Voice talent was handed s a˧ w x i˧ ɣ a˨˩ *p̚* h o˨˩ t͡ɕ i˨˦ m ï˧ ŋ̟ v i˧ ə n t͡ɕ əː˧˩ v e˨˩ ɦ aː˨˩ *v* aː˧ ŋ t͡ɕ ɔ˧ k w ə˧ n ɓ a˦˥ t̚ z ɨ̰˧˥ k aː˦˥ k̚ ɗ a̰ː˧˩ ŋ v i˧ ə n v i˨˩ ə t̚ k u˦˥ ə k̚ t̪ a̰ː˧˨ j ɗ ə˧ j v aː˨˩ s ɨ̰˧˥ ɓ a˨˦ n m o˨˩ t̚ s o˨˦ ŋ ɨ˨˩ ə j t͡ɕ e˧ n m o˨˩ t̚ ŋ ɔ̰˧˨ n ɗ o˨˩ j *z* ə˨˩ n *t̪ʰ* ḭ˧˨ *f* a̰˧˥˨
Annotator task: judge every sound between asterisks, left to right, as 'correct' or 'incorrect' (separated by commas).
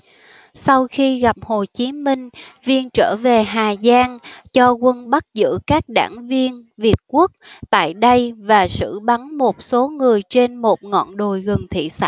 correct, incorrect, incorrect, correct, incorrect